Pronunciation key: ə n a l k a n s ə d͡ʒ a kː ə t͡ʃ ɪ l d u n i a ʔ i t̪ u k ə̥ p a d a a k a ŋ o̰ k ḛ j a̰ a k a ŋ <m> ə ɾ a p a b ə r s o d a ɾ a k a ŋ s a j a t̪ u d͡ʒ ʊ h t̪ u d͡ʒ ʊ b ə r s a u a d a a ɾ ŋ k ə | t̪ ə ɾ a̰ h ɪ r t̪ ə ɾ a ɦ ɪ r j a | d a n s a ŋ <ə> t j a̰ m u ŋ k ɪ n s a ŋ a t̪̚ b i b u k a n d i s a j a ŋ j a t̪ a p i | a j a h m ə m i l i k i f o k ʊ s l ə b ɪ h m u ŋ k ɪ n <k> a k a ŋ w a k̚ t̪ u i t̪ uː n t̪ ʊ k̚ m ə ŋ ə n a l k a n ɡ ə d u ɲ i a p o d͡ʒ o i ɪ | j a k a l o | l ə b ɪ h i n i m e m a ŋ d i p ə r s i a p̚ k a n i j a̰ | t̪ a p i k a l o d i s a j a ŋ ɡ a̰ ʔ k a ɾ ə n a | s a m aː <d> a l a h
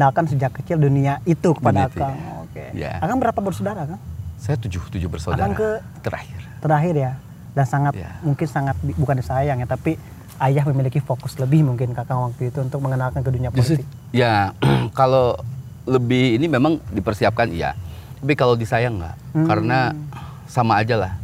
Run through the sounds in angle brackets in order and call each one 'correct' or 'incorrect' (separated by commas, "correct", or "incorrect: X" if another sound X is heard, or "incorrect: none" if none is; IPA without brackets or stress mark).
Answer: incorrect: b, incorrect: a, correct, incorrect: d͡ʒ